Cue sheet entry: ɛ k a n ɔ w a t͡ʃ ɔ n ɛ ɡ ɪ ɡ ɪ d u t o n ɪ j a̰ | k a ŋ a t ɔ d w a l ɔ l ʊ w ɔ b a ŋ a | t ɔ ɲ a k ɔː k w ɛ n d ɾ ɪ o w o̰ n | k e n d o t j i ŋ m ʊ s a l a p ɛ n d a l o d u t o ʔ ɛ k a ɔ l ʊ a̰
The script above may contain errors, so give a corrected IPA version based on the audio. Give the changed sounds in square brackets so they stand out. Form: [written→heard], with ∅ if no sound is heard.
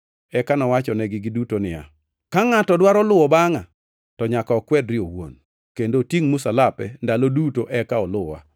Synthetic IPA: ɛ k a n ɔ w a t͡ʃ ɔ n ɛ ɡ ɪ ɡ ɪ d u t o n ɪ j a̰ | k a ŋ a t ɔ d w a [l→ɾ] ɔ l ʊ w ɔ b a ŋ a | t ɔ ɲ a k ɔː k w ɛ [n→∅] d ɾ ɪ o w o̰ n | k e n d o t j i ŋ m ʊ s a l a p ɛ n d a l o d u t o ʔ ɛ k a ɔ l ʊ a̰